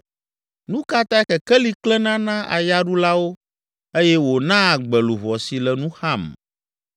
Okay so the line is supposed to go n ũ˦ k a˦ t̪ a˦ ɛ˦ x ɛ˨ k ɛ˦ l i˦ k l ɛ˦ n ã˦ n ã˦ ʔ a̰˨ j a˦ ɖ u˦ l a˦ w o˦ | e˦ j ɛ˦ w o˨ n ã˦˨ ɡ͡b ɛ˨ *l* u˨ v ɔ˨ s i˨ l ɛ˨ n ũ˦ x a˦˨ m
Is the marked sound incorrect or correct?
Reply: correct